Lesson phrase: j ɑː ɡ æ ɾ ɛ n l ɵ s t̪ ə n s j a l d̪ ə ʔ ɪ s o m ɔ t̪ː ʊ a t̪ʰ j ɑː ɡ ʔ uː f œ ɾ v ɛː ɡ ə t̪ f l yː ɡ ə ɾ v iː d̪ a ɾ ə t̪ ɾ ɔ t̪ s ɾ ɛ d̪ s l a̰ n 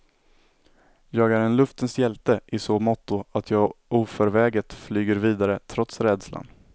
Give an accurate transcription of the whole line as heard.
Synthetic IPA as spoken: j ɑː ɡ æ ɾ ɛ n l ɵ f t̪ ə n s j ɛ l t̪ ə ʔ ɪ s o m ɔ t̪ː ʊ a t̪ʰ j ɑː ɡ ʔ uː f œ ɾ v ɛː ɡ ə t̪ f l yː ɡ ə ɾ v iː d̪ a ɾ ə t̪ʰ ɾ ɔ t̪ s ɾ ɛ d̪ s l a̰ n